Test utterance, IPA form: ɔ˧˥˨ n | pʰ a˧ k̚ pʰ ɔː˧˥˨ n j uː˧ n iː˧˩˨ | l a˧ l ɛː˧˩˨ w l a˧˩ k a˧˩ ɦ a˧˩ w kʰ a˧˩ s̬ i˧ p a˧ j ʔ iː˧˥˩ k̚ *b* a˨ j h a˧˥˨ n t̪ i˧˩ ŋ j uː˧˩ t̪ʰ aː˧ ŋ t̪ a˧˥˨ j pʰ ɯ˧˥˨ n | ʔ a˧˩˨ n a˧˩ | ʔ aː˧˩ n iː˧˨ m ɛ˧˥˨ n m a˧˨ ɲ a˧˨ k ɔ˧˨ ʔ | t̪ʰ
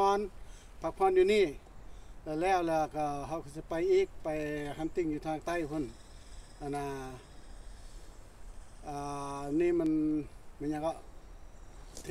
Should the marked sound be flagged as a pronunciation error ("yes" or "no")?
yes